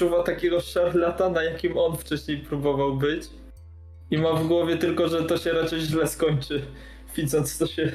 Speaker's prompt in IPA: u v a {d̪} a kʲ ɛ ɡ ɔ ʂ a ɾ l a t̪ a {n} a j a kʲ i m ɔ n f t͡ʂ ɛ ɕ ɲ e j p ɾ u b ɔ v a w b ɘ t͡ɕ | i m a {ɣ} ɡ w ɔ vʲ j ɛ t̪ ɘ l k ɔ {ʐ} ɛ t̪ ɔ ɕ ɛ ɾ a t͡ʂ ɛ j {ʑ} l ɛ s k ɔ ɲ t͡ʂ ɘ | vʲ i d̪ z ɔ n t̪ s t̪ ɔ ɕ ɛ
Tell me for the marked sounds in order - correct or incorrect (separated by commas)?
incorrect, correct, incorrect, correct, correct